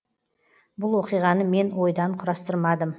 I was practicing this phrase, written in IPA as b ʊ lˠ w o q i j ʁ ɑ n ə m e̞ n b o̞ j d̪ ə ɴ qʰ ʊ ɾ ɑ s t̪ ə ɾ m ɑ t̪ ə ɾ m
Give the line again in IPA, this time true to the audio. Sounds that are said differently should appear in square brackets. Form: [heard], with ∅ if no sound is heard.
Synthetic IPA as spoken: b ʊ lˠ w o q i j ʁ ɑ n ə m e̞ n [w] o̞ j d̪ [ɑ] ɴ qʰ ʊ ɾ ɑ s t̪ ə ɾ m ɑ [d̪] ə [∅] m